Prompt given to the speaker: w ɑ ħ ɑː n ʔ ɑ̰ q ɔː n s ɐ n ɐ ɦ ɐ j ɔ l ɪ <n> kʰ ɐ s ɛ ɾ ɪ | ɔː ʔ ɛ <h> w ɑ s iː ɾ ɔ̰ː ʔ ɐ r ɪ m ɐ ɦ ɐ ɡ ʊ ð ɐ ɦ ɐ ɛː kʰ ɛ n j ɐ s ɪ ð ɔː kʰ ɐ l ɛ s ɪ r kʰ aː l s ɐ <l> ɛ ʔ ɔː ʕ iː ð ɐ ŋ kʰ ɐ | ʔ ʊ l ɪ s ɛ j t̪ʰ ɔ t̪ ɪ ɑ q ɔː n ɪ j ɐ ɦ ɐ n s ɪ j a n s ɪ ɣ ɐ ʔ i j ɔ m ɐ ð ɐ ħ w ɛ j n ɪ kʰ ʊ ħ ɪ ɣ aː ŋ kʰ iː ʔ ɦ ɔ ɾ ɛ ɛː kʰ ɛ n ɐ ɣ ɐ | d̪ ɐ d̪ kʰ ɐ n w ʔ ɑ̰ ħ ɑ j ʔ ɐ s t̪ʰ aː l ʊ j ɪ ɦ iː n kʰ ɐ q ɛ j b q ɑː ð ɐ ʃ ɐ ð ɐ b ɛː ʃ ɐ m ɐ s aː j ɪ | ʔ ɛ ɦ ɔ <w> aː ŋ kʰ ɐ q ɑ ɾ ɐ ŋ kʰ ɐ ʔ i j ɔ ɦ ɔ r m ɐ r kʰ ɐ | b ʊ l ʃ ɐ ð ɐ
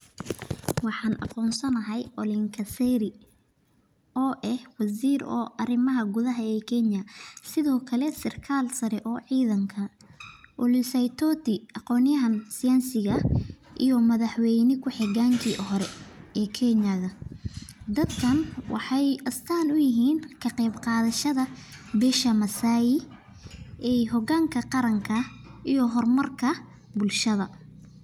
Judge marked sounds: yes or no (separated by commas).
no, yes, no, no